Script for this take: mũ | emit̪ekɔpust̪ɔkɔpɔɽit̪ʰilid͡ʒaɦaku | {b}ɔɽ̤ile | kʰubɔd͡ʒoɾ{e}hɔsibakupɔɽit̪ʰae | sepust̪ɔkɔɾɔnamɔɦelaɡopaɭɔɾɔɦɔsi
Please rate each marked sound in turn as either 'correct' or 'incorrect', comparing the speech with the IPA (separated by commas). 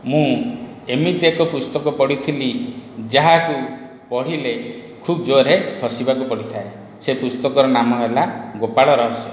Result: incorrect, correct